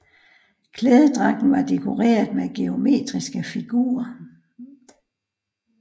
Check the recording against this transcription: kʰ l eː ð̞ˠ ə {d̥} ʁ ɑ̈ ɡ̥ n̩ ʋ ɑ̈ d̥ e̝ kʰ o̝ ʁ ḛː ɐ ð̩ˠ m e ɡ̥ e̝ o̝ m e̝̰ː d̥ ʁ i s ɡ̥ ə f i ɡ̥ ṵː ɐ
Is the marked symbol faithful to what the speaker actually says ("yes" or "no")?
yes